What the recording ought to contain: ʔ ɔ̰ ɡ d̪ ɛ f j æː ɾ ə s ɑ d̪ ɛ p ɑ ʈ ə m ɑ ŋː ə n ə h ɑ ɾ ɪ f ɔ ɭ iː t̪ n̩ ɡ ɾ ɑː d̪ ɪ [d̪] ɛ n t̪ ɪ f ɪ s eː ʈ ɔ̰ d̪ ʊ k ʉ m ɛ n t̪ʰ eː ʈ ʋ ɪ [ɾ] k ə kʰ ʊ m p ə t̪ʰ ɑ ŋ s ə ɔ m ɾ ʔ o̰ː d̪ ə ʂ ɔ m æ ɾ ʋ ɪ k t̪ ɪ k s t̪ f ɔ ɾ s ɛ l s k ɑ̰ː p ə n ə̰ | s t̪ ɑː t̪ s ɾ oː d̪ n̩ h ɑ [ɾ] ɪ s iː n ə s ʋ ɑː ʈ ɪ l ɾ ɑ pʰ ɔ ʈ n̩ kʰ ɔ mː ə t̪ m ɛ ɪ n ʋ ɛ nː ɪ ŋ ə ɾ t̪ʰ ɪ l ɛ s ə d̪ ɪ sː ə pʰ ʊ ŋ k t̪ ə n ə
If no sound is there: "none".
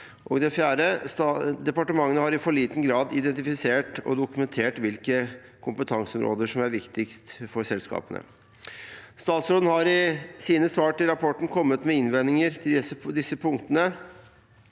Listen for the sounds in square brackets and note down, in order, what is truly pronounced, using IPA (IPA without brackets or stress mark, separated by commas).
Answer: d̪, l, ɾ